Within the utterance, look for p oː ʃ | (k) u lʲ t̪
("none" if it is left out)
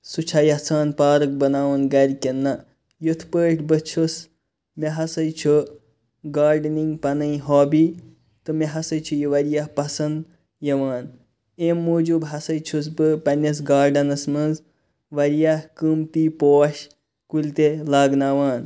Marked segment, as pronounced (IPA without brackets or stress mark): k